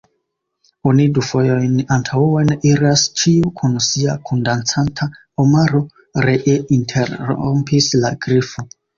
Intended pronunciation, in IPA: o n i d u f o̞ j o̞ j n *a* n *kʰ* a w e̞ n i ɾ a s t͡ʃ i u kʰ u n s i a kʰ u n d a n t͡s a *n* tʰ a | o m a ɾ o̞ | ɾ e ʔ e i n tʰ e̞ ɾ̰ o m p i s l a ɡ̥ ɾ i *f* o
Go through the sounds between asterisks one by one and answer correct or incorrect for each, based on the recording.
correct, incorrect, correct, correct

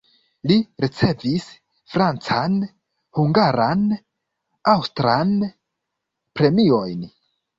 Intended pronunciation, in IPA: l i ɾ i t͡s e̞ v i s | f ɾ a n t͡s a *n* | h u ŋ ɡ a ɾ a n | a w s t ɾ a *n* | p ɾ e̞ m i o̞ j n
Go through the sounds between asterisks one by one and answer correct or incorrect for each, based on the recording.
correct, correct

